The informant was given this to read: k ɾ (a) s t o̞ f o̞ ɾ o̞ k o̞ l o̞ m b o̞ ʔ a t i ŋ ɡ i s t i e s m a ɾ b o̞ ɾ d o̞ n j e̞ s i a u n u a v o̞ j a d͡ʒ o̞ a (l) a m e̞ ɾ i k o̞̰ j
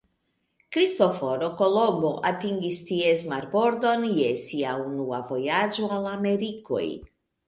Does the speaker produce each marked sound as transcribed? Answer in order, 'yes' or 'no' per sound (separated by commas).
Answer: no, yes